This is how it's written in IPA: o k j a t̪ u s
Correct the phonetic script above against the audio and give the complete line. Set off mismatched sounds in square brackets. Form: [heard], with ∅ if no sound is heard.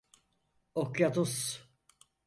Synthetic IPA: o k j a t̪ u s